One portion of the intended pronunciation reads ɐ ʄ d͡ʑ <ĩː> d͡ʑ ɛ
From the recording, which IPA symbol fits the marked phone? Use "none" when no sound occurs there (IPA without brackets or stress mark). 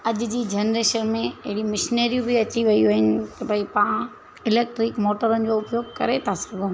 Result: iː